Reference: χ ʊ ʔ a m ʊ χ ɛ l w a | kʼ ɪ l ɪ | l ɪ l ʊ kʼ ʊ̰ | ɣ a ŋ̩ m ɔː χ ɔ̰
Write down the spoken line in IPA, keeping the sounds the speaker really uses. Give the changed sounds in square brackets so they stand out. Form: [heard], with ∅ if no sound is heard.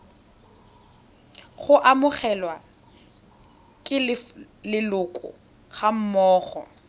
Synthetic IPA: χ ʊ ʔ a m ʊ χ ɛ l w a | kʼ ɪ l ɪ | l ɪ l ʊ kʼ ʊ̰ | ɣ a [m̩] m ɔː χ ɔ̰